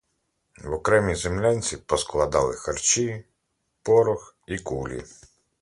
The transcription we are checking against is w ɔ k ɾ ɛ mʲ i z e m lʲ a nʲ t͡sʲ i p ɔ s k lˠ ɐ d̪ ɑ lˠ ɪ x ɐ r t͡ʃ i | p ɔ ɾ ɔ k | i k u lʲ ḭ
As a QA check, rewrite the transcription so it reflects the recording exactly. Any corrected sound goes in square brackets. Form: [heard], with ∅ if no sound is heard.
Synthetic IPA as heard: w ɔ k ɾ ɛ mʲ i z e m lʲ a nʲ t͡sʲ i p ɔ s k lˠ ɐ d̪ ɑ lˠ ɪ x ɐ r t͡ʃ i | p ɔ ɾ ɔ [x] | i k u lʲ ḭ